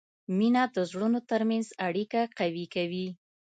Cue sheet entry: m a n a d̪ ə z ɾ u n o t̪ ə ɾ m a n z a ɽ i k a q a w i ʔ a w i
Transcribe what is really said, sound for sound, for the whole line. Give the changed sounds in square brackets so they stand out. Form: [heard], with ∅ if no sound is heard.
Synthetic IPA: m [i] n a d̪ ə z [ɽ] u n o t̪ ə ɾ m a n z a ɽ i k a q a w i [k] a w i